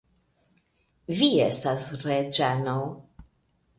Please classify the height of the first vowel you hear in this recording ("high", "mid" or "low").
high